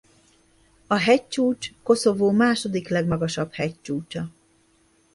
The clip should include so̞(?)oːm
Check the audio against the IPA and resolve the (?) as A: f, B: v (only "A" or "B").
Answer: B